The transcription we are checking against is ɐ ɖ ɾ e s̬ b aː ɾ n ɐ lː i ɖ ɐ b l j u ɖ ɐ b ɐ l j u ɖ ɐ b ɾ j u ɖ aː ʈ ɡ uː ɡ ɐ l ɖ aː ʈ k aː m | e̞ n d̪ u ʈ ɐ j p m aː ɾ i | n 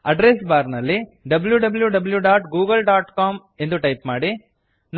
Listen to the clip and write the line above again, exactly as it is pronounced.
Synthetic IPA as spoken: ɐ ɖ ɾ e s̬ b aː ɾ n ɐ lː i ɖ ɐ b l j u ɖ ɐ b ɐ l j u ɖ ɐ b l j u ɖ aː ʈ ɡ uː ɡ ɐ l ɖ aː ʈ k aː m | e̞ n d̪ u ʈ ɐ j p m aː ɽ i | n

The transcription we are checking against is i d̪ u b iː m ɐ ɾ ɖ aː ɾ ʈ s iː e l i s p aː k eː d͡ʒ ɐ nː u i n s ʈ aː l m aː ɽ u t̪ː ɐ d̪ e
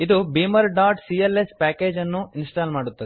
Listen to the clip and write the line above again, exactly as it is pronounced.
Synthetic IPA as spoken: i d̪ u b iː m ɐ ɾ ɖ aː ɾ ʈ s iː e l e s p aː k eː d͡ʒ ɐ nː u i n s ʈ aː l m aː ɽ u t̪ː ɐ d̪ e

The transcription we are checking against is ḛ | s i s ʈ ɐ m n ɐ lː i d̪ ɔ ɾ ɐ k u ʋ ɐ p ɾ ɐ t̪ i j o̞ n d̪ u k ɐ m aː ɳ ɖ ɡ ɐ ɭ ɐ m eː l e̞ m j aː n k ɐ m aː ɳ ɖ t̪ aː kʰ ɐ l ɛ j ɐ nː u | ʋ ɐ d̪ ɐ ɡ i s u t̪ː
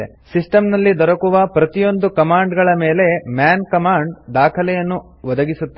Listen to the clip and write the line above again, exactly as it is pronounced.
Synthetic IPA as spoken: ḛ | s i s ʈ ɐ m n ɐ lː i d̪ ɔ ɾ ɐ k u ʋ ɐ p ɾ ɐ t̪ i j o̞ n d̪ u k ɐ m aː ɳ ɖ ɡ ɐ ɭ ɐ m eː l e̞ m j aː n k ɐ m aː ɳ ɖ d̪ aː kʰ ɐ l ɛ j ɐ nː u | ʋ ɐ d̪ ɐ ɡ i s u t̪ː

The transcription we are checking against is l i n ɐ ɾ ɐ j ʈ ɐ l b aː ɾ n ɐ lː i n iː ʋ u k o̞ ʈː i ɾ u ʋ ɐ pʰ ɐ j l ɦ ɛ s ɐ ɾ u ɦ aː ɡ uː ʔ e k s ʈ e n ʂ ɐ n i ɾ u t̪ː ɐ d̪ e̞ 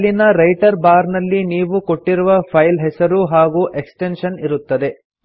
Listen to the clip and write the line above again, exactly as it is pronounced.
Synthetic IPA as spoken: l i n ɐ ɾ ɐ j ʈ ɐ ɾ b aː ɾ n ɐ lː i n iː ʋ u k o̞ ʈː i ɾ u ʋ ɐ pʰ ɐ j l ɦ ɛ s ɐ ɾ u ɦ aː ɡ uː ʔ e k s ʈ e n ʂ ɐ n i ɾ u t̪ː ɐ d̪ e̞

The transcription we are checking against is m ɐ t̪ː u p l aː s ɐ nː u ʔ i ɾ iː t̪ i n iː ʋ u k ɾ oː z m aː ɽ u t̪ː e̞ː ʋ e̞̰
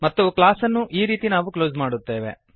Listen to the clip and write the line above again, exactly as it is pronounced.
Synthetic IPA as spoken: m ɐ t̪ː u k l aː s ɐ nː u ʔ iː ɾ iː t̪ i n aː ʋ u k l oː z m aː ɽ u t̪ː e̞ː ʋ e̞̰

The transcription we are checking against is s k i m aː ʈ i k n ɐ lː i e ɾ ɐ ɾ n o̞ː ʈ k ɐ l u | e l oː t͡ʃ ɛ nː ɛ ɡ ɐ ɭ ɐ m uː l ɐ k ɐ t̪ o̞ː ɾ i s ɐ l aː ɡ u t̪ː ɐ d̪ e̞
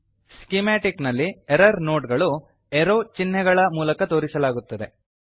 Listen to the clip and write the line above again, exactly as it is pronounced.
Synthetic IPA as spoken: s k i m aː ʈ i k n ɐ lː i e ɾ ɐ ɾ n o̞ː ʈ ɡ ɐ ɭ u | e ɾ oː t͡ʃ i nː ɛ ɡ ɐ ɭ ɐ m uː l ɐ k ɐ t̪ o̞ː ɾ i s ɐ l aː ɡ u t̪ː ɐ d̪ e̞

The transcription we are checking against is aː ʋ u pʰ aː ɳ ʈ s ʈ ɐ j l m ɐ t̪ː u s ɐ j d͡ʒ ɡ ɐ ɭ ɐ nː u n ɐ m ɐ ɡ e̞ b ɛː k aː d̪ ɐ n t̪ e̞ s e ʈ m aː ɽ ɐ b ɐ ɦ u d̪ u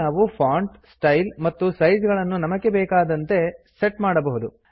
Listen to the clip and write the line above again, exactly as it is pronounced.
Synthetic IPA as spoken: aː ʋ u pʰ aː ɳ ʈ s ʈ ɐ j l m ɐ t̪ː u s ɐ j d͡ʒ ɡ ɐ ɭ ɐ nː u n ɐ m ɐ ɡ e̞ b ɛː k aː d̪ ɐ n t̪ e̞ s e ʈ m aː ɽ ɐ b ɐ ɦ u d̪ u

